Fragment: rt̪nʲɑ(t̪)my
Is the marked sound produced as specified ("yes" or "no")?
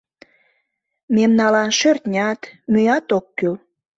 yes